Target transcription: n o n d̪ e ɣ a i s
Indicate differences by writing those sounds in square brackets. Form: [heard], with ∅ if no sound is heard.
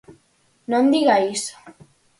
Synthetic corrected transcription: n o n d̪ [i] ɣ a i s